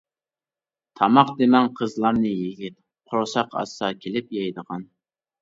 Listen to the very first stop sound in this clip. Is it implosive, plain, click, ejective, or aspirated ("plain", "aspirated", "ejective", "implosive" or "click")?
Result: aspirated